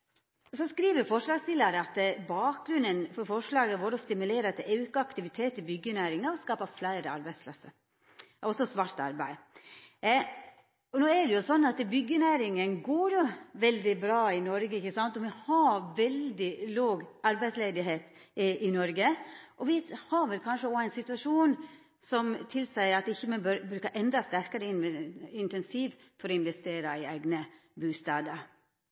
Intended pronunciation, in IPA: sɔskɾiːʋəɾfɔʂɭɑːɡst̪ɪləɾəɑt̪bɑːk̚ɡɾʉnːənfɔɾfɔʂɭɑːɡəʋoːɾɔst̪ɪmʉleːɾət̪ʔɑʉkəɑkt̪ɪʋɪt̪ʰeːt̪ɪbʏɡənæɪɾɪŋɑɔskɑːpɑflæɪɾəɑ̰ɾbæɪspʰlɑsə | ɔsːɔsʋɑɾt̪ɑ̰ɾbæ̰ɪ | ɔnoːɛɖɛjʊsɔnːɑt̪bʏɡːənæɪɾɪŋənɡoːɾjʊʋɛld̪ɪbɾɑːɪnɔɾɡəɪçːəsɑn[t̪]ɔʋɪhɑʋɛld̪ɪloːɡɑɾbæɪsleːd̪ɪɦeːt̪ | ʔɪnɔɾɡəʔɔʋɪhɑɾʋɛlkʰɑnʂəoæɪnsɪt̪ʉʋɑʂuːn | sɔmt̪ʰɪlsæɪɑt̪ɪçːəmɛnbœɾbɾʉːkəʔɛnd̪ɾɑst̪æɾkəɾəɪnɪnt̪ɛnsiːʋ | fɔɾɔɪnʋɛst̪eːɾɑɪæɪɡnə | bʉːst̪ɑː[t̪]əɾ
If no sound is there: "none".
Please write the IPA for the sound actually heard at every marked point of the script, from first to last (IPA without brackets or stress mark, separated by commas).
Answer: t̪, d̪